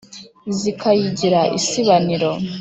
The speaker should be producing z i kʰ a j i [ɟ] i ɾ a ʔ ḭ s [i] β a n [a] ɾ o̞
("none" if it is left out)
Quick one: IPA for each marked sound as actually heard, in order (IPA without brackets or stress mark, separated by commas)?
ɟ, i, i